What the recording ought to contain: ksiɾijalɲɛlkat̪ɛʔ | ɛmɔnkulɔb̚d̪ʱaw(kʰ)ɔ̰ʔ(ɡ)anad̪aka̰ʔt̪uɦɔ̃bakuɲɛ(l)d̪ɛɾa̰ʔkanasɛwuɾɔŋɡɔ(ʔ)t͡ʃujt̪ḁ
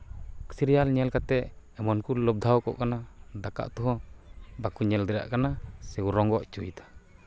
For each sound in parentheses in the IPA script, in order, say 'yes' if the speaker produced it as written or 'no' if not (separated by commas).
no, no, yes, yes